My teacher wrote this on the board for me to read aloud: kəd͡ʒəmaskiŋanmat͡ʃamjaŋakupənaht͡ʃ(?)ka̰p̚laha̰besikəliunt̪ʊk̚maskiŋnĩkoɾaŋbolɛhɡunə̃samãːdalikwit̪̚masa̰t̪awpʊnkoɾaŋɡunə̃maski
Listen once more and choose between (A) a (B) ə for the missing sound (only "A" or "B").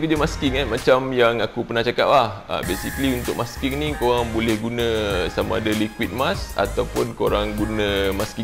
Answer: A